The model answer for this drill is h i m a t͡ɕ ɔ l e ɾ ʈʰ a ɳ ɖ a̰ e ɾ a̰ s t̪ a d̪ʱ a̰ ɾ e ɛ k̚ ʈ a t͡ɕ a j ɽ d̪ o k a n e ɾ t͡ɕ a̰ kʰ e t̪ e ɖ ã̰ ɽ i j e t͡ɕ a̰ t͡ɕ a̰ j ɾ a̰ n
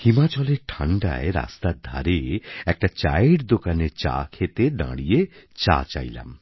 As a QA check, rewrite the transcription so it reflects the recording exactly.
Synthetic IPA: h i m a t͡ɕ ɔ l e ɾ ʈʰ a ɳ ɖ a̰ e ɾ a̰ s t̪ a d̪ʱ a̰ ɾ e ɛ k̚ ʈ a t͡ɕ a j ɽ d̪ o k a n e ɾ t͡ɕ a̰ kʰ e t̪ e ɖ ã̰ ɽ i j e t͡ɕ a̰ t͡ɕ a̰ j l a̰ m